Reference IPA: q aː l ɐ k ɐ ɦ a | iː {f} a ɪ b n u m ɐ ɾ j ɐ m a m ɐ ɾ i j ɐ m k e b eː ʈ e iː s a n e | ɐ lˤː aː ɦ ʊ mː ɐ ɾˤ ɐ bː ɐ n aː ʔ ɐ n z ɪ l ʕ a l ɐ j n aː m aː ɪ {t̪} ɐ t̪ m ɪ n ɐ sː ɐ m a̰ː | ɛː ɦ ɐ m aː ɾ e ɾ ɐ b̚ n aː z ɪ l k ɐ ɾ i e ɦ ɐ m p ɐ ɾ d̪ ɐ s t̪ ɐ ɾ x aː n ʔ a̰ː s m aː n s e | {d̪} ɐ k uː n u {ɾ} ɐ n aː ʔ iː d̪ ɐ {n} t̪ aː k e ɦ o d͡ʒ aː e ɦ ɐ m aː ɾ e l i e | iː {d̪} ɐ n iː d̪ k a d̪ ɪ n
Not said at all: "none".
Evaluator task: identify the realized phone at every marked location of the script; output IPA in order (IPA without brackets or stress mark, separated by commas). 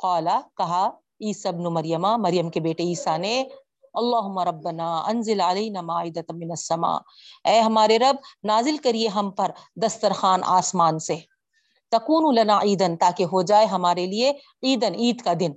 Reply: s, d̪, t̪, l, n, d̪